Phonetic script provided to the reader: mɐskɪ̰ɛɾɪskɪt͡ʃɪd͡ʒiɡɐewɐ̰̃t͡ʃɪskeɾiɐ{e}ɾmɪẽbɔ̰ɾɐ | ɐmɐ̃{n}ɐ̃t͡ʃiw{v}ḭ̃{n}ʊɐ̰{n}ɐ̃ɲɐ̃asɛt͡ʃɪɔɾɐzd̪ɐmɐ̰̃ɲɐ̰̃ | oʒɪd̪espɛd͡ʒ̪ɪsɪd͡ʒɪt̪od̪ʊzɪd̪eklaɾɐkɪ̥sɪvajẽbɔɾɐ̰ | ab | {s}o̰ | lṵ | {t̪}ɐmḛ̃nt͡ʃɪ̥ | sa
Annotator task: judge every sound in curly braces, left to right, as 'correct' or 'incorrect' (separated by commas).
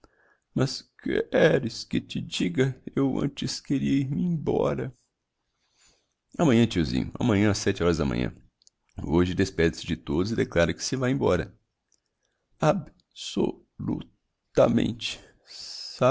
incorrect, incorrect, incorrect, incorrect, incorrect, correct, correct